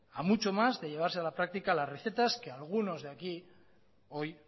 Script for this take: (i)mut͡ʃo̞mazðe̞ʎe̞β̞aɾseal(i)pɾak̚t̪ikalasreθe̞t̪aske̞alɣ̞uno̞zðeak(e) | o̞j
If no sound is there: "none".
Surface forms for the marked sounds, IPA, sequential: a, a, i

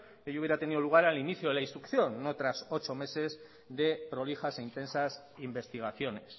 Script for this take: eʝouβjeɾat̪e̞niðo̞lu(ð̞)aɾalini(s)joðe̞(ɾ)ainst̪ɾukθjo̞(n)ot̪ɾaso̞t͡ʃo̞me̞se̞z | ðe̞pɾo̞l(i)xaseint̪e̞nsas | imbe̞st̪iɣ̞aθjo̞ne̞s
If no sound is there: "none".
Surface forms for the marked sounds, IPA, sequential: ɣ̞, θ, l, nː, i

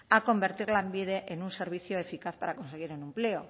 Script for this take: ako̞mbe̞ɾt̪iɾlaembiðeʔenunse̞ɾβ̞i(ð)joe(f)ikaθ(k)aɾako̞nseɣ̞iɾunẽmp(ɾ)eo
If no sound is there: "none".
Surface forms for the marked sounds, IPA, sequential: θ, f, p, l

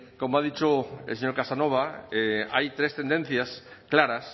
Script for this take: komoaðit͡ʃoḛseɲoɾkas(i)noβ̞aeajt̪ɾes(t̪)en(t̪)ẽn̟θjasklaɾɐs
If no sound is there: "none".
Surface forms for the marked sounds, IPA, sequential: a, t̪, d̪

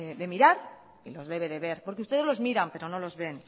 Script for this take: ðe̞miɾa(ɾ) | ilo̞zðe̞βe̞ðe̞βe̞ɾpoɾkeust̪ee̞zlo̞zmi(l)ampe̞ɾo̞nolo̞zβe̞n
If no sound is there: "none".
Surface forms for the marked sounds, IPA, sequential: ɾ, ɾ

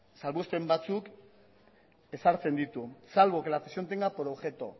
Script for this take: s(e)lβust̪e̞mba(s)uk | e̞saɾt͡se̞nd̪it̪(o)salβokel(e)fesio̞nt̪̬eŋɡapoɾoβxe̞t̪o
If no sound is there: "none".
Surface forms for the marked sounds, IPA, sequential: a, t͡s, u, a

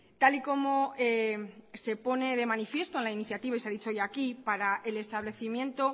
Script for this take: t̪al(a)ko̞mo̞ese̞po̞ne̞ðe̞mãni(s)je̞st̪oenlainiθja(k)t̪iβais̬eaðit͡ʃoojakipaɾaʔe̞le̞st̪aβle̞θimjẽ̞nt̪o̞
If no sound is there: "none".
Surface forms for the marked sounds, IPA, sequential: i, f, none

